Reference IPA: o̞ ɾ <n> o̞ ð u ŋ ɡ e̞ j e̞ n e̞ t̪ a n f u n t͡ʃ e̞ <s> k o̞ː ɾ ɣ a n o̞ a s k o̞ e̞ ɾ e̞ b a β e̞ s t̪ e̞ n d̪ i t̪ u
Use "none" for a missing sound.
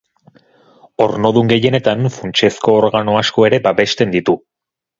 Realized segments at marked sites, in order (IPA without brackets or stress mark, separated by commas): n, s